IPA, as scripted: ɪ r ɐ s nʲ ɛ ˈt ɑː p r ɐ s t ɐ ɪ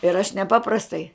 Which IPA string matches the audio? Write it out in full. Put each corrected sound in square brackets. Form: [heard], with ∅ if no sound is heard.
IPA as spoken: ɪ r ɐ [ʃ] nʲ ɛ [ˈp] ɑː p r ɐ s t ɐ ɪ